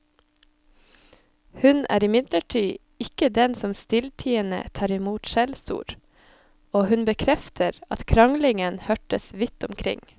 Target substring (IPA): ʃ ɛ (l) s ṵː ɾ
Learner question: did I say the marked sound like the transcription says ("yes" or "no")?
yes